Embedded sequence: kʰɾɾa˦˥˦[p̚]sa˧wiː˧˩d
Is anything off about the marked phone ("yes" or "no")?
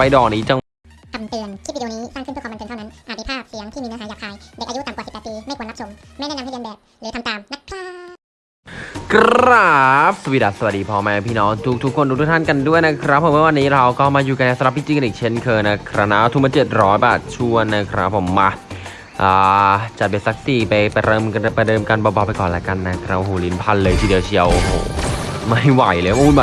no